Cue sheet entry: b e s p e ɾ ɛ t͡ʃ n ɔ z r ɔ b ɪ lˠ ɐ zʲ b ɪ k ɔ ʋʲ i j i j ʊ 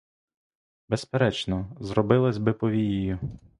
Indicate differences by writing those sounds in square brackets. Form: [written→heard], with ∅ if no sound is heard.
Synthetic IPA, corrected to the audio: b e s p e ɾ ɛ t͡ʃ n ɔ z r ɔ b ɪ lˠ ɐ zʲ b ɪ [k→p] ɔ ʋʲ i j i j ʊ